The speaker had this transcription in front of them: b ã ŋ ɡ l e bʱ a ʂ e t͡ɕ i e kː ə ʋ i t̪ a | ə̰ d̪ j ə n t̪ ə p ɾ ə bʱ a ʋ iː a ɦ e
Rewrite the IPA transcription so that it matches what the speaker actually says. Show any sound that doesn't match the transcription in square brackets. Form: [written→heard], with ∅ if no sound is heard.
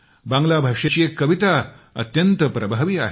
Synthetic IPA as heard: b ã ŋ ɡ l [e→a] bʱ a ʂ e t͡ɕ i e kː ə ʋ i t̪ a | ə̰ [d̪→t̪] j ə n t̪ ə p ɾ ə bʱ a ʋ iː a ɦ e